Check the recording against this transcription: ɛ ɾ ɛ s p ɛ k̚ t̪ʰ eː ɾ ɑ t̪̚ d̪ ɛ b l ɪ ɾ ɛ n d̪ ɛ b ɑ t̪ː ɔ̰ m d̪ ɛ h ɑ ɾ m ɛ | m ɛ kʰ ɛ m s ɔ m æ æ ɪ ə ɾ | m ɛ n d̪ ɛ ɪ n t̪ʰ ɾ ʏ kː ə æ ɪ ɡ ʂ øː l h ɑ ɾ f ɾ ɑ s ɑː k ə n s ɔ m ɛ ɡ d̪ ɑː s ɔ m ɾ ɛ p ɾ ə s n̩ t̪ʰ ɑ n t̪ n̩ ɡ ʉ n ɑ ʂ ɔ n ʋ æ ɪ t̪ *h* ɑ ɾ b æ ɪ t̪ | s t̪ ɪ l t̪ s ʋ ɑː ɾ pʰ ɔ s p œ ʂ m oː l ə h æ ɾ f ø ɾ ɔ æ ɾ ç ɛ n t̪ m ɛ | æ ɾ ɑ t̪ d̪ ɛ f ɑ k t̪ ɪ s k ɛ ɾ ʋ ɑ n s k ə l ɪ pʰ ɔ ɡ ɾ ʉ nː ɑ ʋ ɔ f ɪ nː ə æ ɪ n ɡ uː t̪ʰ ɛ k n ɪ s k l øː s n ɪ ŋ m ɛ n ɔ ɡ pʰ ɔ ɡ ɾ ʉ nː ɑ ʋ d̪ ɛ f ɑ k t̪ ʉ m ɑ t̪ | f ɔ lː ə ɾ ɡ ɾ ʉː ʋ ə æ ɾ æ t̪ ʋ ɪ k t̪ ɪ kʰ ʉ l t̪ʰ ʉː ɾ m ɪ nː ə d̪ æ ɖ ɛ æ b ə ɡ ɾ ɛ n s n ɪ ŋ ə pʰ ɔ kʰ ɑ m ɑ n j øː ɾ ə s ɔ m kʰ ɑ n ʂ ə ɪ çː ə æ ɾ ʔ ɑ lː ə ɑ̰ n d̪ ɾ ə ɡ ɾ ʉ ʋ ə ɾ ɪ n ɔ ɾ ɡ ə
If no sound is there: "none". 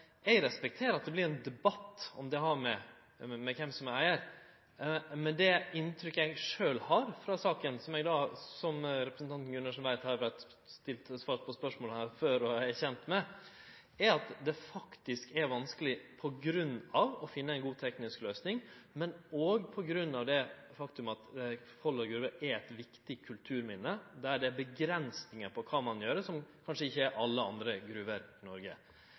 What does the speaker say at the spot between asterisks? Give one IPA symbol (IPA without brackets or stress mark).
h